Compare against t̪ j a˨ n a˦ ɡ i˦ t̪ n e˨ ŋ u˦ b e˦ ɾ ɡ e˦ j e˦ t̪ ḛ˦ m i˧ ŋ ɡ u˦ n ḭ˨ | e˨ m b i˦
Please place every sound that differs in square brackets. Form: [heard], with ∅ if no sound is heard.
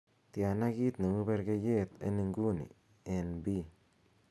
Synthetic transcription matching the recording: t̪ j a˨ n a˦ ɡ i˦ t̪ n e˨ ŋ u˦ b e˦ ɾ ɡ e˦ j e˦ t̪ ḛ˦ [n] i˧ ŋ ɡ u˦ n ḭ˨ | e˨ [n] b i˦